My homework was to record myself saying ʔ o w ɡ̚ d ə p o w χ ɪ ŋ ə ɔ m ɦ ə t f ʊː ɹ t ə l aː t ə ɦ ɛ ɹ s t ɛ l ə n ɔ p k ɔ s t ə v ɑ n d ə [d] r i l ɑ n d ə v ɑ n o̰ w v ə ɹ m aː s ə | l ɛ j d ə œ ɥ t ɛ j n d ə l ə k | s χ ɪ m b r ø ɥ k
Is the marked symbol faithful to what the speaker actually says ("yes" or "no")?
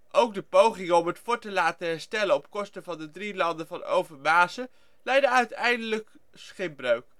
yes